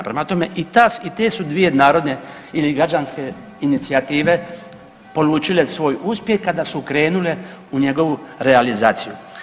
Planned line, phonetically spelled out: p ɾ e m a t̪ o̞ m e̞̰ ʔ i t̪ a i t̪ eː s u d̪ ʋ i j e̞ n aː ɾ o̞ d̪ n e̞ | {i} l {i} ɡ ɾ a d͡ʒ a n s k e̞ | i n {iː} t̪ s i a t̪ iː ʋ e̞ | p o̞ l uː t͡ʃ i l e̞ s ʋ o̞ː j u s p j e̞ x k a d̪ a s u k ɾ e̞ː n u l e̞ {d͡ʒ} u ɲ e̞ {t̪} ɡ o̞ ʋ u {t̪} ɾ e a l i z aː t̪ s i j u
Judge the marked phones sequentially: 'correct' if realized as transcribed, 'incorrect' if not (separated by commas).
correct, correct, incorrect, incorrect, incorrect, incorrect